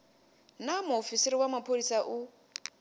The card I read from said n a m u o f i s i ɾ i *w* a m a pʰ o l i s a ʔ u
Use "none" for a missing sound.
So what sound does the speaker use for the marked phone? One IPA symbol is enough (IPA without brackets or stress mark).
w